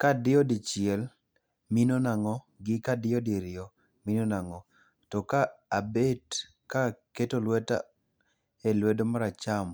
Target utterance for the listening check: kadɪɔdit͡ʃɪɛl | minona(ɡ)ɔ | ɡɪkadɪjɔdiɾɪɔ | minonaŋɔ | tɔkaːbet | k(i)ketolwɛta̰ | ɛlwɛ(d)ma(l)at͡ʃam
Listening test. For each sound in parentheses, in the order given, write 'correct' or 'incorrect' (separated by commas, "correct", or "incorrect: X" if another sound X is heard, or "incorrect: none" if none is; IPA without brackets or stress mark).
incorrect: ŋ, incorrect: a, correct, incorrect: ɾ